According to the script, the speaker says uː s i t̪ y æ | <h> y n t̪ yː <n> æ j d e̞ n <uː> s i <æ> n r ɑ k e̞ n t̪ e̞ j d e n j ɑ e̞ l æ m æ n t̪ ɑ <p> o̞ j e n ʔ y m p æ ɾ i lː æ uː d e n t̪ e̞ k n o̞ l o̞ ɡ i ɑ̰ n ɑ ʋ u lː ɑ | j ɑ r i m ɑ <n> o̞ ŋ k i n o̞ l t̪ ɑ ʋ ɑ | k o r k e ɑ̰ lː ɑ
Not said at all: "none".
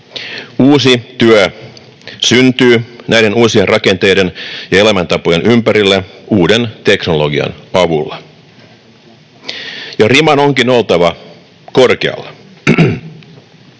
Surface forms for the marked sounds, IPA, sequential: s, n, uː, e, p, n

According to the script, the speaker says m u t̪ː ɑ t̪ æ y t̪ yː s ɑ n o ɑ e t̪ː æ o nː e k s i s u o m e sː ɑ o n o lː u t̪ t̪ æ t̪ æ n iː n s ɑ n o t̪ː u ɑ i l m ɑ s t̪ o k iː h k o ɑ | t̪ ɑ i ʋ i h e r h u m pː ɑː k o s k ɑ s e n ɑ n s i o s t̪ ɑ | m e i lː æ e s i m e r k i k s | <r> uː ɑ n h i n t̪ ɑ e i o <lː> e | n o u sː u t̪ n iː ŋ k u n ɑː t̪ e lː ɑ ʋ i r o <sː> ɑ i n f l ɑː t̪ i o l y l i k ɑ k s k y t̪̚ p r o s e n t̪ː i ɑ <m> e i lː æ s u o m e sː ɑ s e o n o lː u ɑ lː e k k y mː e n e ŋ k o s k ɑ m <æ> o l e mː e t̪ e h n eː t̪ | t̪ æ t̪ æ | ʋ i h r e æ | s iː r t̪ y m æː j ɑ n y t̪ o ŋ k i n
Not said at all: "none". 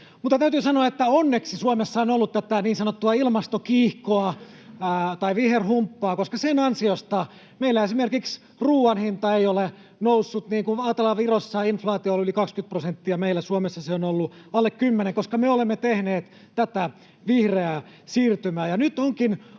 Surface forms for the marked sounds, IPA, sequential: r, l, sː, m, e

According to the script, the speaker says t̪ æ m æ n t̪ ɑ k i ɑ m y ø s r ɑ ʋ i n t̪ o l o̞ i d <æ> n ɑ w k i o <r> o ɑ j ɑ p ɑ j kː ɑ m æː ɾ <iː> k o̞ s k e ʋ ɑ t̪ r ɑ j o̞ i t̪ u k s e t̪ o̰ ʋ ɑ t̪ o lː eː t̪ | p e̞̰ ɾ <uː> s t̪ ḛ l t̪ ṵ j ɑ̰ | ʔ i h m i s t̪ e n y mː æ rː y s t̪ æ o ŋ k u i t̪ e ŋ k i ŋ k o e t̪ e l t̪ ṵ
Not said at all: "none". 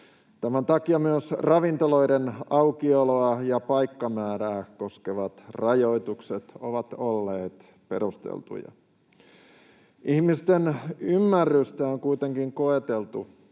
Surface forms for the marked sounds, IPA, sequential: e, l, æː, u

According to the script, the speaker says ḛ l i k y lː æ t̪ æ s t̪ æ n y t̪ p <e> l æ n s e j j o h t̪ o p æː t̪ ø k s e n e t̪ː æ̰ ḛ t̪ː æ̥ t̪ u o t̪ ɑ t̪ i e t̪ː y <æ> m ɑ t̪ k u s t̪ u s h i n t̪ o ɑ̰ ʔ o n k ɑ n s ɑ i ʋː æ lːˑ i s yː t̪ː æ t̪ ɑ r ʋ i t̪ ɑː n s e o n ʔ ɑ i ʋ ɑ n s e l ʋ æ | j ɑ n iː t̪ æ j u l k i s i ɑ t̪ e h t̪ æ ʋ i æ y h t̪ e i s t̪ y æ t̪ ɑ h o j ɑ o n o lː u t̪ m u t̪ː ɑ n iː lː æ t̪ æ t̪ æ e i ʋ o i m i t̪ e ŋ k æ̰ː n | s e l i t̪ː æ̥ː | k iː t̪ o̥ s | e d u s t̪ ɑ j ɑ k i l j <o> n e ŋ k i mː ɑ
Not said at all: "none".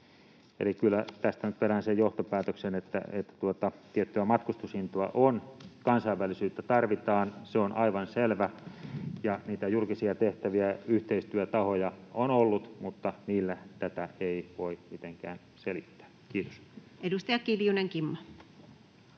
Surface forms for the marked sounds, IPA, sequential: e, æ, u

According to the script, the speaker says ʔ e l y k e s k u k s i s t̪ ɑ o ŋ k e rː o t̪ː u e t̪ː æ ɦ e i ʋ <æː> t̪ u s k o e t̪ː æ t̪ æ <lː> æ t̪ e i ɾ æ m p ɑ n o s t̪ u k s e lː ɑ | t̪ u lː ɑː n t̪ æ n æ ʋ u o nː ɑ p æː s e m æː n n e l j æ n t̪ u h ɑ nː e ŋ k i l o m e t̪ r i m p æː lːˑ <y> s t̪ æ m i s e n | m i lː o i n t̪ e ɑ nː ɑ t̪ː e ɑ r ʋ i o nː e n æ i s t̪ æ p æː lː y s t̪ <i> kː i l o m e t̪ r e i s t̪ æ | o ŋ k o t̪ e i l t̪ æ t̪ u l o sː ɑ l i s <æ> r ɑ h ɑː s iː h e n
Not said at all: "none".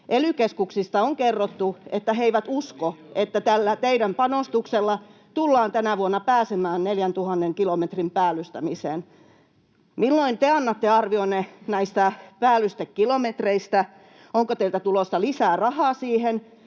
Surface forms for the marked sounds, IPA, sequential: æ, lː, y, e, æː

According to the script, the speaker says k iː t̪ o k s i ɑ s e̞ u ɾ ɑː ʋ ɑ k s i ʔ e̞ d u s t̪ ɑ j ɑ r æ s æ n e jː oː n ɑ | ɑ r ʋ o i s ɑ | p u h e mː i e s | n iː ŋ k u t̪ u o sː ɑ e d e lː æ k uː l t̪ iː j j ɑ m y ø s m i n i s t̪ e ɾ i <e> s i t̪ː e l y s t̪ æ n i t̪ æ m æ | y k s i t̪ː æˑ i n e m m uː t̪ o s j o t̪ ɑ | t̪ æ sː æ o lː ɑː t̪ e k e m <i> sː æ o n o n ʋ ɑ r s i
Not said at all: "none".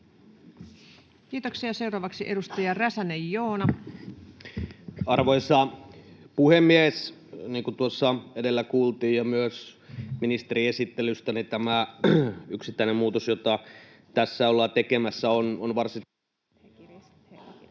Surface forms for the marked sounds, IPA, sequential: e, æ

